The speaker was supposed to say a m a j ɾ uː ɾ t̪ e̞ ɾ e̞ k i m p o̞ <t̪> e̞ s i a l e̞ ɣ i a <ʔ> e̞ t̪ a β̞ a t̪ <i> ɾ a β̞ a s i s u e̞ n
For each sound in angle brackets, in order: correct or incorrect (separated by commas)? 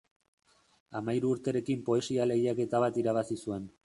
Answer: incorrect, incorrect, correct